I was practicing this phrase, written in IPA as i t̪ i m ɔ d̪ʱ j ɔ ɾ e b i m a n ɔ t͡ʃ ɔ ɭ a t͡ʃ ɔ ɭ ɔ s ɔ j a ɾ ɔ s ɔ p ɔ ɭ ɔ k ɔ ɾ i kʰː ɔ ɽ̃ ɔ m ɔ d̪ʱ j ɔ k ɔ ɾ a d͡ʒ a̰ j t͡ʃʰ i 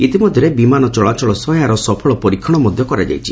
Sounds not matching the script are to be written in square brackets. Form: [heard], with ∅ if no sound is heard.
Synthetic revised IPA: i t̪ i m ɔ d̪ʱ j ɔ ɾ e b i m a n ɔ t͡ʃ ɔ ɭ a t͡ʃ ɔ ɭ ɔ s ɔ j a ɾ ɔ s ɔ [pʰ] ɔ ɭ ɔ [p] ɔ ɾ i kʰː ɔ ɽ̃ ɔ m ɔ d̪ʱ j ɔ k ɔ ɾ a d͡ʒ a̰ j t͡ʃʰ i